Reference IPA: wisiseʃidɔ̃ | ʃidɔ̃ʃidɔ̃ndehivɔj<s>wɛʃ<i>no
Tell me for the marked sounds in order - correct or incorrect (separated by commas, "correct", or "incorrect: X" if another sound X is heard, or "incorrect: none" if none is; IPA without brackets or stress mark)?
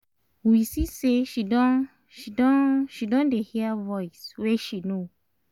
correct, correct